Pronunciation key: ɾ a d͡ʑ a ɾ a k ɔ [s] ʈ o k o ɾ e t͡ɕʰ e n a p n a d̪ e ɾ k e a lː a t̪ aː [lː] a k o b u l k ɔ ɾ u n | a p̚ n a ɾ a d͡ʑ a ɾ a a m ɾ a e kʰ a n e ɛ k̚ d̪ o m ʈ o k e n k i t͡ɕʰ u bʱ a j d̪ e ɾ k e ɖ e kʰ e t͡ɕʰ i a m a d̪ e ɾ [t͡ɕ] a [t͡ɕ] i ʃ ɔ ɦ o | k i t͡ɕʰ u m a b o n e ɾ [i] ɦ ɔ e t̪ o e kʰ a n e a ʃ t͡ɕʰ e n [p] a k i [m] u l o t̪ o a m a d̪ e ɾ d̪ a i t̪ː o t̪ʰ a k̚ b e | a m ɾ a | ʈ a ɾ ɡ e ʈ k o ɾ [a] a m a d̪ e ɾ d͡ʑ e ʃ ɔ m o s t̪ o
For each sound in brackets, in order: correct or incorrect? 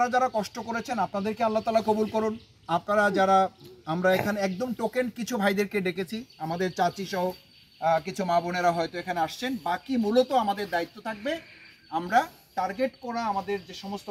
incorrect, incorrect, correct, correct, incorrect, incorrect, correct, correct

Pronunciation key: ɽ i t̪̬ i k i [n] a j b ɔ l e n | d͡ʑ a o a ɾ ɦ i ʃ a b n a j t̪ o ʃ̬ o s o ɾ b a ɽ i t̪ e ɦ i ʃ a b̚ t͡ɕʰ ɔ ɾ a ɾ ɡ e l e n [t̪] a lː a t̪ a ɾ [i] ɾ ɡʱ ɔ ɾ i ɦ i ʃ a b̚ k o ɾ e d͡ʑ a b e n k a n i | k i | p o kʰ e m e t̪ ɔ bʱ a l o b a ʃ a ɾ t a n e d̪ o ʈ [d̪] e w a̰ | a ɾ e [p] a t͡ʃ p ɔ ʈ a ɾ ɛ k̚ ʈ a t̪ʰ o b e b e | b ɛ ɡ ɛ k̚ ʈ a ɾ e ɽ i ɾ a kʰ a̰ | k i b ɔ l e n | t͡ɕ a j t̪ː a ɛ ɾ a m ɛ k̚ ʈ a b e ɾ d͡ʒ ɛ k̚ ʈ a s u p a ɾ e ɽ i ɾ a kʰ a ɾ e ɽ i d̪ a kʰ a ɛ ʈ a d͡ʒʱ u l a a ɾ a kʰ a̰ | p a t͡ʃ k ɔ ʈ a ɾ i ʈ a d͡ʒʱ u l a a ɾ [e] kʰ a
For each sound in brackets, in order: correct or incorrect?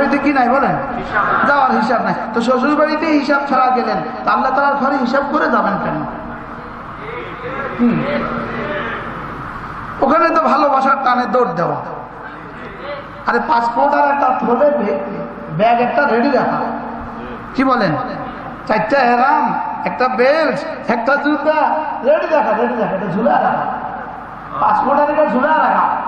correct, correct, incorrect, correct, correct, incorrect

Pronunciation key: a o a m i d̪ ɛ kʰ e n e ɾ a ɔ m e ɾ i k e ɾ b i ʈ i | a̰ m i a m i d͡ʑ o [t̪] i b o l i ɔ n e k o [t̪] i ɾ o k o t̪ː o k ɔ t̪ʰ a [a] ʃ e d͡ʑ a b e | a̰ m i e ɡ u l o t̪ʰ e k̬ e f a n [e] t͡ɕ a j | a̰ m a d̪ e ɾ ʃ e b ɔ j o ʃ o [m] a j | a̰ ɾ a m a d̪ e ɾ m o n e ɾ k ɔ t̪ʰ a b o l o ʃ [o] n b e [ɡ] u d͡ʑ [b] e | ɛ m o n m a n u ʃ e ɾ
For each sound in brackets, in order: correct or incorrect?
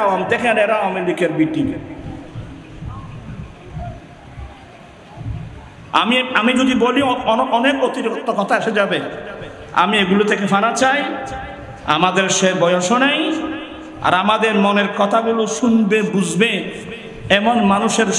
incorrect, correct, incorrect, incorrect, incorrect, incorrect, incorrect, correct

